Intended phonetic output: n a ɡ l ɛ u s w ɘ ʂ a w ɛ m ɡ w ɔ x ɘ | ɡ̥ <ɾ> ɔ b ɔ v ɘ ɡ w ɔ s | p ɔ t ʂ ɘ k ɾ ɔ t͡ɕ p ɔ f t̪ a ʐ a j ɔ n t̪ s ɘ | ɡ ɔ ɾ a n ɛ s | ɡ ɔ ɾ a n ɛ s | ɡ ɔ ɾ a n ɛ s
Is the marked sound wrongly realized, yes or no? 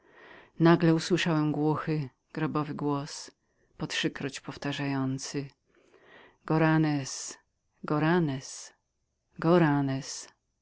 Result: no